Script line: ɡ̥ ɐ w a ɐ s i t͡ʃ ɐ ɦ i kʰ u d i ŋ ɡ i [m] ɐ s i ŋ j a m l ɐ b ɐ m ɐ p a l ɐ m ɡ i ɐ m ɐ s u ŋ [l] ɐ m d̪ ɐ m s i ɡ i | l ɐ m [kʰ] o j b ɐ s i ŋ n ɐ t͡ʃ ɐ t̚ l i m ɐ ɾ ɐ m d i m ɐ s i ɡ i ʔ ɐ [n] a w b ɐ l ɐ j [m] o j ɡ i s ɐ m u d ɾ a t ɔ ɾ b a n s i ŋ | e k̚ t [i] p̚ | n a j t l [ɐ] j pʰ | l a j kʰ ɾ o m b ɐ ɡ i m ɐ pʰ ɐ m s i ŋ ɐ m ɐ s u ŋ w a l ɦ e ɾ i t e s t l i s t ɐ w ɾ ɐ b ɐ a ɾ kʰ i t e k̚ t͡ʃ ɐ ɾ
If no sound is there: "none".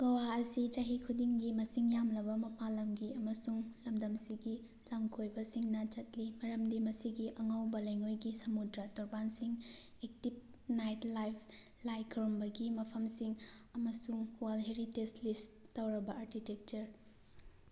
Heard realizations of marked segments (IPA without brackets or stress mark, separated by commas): m, l, kʰ, ŋ, ŋ, i, a